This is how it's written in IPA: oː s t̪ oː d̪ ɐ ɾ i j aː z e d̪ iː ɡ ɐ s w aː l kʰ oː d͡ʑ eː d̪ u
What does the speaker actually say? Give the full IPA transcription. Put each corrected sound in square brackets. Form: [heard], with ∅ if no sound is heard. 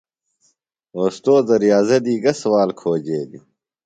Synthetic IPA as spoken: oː s t̪ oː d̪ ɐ ɾ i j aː z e d̪ iː ɡ ɐ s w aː l kʰ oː d͡ʑ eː d̪ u